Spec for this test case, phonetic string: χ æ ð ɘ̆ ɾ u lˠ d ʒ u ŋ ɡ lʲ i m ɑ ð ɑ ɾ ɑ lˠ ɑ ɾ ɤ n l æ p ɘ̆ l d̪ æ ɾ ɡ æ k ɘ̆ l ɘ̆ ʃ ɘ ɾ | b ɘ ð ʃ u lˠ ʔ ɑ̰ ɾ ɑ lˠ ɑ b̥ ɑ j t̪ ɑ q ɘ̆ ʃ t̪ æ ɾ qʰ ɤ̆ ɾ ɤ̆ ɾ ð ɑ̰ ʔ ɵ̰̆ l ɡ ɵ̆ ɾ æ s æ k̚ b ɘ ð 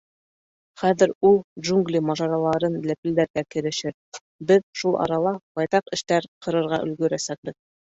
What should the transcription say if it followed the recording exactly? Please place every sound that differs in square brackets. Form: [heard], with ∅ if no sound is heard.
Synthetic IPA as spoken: χ æ ð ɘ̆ ɾ u lˠ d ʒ u ŋ ɡ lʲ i m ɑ [ʒ] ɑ ɾ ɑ lˠ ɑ ɾ ɤ n l æ p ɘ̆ l d̪ æ ɾ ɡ æ k ɘ̆ [ɾ] ɘ̆ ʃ ɘ ɾ | b ɘ ð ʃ u lˠ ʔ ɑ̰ ɾ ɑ lˠ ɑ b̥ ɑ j t̪ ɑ q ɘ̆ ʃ t̪ æ ɾ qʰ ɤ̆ ɾ ɤ̆ ɾ [ʁ] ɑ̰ ʔ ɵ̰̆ l ɡ ɵ̆ ɾ æ s æ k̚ b ɘ ð

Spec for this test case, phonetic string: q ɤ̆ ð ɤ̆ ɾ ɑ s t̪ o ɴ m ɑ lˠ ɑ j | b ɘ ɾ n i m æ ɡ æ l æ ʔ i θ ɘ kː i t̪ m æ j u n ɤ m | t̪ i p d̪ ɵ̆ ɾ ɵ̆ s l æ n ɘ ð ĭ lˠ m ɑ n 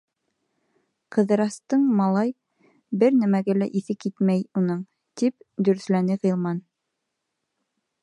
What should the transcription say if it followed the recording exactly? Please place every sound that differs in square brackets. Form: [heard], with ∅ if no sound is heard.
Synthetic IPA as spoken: q ɤ̆ ð ɤ̆ ɾ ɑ s t̪ [ɤ] ɴ m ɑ lˠ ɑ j | b ɘ ɾ n [æ] m æ ɡ æ l æ ʔ i θ ɘ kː i t̪ m æ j u n ɤ [ɴ] | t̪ i p d̪ ɵ̆ ɾ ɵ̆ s l æ n ɘ [ʁ] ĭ lˠ m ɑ n

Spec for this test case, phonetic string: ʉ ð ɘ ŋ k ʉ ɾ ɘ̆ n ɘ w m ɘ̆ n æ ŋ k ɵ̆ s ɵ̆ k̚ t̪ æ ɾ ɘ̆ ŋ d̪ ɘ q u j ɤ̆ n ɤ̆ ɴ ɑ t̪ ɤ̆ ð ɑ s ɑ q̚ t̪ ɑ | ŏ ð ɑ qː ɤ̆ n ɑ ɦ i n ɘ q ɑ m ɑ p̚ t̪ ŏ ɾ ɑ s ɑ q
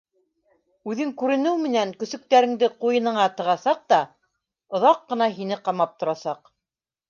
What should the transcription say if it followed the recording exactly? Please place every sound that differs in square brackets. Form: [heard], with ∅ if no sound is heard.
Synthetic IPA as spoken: ʉ ð ɘ ŋ k ʉ ɾ ɘ̆ n ɘ w m ɘ̆ n æ ŋ k ɵ̆ s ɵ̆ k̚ t̪ æ ɾ ɘ̆ ŋ d̪ ɘ q u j ɤ̆ n ɤ̆ ɴ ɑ t̪ ɤ̆ [ʁ] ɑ s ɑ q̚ t̪ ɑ | ŏ ð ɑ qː ɤ̆ n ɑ ɦ i n ɘ q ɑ m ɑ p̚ t̪ ŏ ɾ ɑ s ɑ q

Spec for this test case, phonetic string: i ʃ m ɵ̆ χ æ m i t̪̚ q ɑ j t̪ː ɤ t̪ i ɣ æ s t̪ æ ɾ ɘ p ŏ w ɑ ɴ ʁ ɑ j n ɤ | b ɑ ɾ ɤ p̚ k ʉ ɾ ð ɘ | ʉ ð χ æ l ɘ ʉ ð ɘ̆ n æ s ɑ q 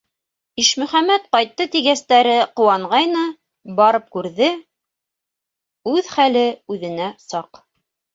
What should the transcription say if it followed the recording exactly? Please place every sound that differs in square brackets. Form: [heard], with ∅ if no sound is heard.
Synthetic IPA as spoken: i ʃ m ɵ̆ χ æ m [æ] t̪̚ q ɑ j t̪ː ɤ t̪ i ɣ æ s t̪ æ ɾ ɘ [q] ŏ w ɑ ɴ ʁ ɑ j n ɤ | b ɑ ɾ ɤ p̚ k ʉ ɾ ð ɘ | ʉ ð χ æ l ɘ ʉ ð ɘ̆ n æ s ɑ q

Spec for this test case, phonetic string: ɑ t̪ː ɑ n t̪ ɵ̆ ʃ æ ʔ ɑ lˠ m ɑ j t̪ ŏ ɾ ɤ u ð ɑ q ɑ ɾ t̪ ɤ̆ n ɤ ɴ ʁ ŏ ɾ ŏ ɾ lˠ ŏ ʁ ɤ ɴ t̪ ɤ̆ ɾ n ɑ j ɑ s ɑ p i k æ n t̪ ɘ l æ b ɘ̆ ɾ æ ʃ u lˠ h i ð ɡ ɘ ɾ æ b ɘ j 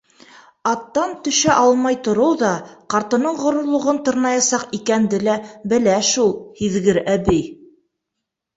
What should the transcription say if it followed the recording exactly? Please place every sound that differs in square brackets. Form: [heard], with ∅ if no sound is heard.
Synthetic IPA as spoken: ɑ t̪ː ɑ n t̪ ɵ̆ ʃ æ ʔ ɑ lˠ m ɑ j t̪ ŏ ɾ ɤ [w] ð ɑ q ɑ ɾ t̪ ɤ̆ n ɤ ɴ ʁ ŏ ɾ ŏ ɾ lˠ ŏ ʁ ɤ [n] t̪ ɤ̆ ɾ n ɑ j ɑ s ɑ [q] i k æ n [d̪] ɘ l æ b ɘ̆ [l] æ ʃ u lˠ h i ð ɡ ɘ ɾ æ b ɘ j

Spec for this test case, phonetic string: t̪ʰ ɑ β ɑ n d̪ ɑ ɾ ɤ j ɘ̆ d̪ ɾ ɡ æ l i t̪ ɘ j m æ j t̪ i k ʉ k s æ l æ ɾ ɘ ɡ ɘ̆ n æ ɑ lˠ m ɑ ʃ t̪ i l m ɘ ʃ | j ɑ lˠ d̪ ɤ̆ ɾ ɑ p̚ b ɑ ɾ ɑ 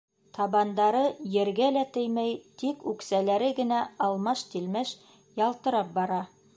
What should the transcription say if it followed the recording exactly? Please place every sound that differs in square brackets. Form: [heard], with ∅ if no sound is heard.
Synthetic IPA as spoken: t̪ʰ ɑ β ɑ n d̪ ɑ ɾ ɤ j ɘ̆ [∅] ɾ ɡ æ l [æ] t̪ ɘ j m æ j t̪ i k ʉ k s æ l æ ɾ ɘ ɡ ɘ̆ n æ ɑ lˠ m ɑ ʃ t̪ i l m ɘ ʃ | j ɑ lˠ [t̪] ɤ̆ ɾ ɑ p̚ b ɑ ɾ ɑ

